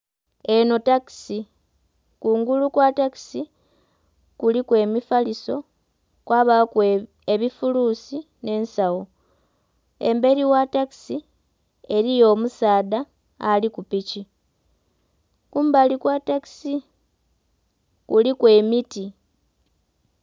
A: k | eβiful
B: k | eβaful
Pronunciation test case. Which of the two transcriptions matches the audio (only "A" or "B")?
A